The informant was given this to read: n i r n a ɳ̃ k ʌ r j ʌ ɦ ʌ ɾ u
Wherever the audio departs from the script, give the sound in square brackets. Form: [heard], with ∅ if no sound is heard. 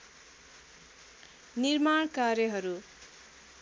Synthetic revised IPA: n i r [m] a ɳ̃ k [a] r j ʌ ɦ ʌ ɾ u